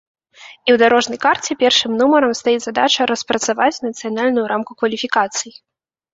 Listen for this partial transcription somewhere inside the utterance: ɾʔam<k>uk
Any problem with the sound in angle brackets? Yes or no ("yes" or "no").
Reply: no